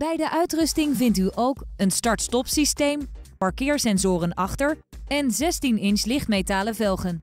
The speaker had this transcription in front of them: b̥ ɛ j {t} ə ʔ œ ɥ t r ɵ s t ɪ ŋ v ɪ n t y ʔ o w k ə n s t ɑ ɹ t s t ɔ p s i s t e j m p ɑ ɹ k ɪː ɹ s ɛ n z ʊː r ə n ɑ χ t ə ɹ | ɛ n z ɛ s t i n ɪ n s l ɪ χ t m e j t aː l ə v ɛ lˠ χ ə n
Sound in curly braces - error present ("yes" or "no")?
yes